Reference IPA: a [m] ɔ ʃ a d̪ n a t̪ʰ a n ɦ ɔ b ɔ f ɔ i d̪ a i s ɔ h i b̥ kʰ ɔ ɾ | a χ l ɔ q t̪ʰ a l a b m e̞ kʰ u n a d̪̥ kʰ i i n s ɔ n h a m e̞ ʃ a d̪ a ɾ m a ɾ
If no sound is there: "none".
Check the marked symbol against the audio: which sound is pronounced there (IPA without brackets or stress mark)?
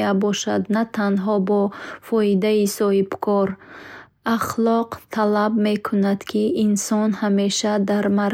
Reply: b